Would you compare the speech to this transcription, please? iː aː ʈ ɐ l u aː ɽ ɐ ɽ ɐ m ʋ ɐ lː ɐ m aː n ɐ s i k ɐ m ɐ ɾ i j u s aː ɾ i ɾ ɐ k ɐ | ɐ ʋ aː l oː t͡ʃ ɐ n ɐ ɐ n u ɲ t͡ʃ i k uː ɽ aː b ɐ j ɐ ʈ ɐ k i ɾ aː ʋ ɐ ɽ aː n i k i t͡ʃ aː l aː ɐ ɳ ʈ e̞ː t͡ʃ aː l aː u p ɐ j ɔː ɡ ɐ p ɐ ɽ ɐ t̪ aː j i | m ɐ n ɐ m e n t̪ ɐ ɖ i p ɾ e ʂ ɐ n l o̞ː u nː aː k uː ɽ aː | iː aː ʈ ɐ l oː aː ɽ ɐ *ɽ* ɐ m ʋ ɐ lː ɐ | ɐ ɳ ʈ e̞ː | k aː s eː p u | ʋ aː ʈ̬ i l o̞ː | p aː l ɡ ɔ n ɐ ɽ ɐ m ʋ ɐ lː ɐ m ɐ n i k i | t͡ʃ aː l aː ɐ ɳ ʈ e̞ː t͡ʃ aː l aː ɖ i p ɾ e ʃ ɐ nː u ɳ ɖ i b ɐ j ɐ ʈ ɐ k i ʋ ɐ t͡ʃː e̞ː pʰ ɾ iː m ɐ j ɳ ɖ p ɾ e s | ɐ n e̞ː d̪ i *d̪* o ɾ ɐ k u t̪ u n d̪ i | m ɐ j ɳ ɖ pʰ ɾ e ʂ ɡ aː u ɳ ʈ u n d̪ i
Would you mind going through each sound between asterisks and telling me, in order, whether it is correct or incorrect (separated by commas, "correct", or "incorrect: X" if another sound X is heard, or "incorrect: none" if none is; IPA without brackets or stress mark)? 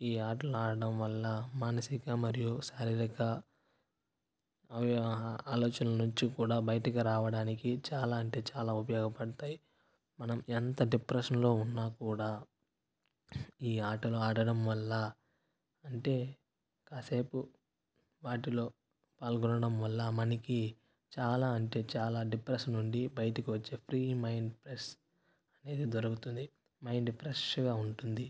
correct, correct